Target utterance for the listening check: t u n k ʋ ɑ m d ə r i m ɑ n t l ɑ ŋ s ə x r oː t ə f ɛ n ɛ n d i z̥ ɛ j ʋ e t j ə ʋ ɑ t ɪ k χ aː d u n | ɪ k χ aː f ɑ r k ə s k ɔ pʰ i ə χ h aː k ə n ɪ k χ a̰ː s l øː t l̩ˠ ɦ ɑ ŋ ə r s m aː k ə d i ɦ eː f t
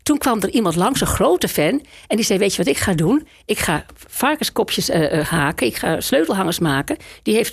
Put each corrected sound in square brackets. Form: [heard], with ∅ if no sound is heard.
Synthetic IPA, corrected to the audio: t u n k ʋ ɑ m d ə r i m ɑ n t l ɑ ŋ s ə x r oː t ə f ɛ n ɛ n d i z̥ ɛ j ʋ e t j ə ʋ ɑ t ɪ k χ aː d u n | ɪ k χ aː f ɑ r k ə s k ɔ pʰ [j] ə [s] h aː k ə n ɪ k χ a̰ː s l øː t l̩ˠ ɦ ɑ ŋ ə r s m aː k ə d i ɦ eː f t